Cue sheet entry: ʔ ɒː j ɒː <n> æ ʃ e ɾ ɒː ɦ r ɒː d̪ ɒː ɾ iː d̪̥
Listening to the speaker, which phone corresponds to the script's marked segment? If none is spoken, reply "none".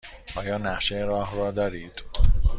n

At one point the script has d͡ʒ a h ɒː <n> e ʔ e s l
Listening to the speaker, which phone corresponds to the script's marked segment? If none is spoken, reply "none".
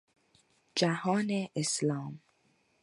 n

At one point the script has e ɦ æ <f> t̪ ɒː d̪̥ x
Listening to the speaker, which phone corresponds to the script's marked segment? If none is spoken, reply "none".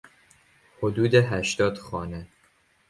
ʃ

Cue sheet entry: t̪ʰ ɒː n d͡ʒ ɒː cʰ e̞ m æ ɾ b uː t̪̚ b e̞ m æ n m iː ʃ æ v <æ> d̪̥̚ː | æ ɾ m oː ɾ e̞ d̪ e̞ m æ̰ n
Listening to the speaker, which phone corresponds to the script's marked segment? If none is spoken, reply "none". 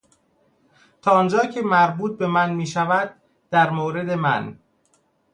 æ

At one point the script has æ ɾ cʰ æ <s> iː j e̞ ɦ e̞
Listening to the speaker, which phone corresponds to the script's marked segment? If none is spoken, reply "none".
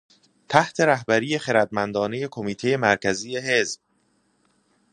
z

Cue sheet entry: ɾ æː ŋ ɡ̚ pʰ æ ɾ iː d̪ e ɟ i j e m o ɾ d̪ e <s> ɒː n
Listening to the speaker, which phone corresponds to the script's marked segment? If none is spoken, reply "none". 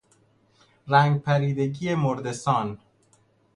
s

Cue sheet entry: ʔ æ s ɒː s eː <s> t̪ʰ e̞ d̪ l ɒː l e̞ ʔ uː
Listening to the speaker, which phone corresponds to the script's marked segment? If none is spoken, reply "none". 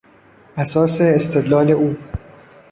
s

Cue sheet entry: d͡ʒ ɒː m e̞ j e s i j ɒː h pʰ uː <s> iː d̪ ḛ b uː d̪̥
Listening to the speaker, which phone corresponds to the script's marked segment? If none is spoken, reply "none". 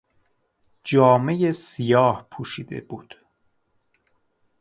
ʃ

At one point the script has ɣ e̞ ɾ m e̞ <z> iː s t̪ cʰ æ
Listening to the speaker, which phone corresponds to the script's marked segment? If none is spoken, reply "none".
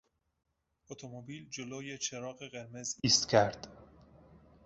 z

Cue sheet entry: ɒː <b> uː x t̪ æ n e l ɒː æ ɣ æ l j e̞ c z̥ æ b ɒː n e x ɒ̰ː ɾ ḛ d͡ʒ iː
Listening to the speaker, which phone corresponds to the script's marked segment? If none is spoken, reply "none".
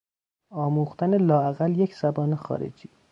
m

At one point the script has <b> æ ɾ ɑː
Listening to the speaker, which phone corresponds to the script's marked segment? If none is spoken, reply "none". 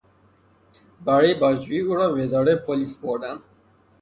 b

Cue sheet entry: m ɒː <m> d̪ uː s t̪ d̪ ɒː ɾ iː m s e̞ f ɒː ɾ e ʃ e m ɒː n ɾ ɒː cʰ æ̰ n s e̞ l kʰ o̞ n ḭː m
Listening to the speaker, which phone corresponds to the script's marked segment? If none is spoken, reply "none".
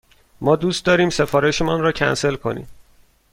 none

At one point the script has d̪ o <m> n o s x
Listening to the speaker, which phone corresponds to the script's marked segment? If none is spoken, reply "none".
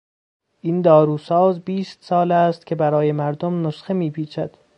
m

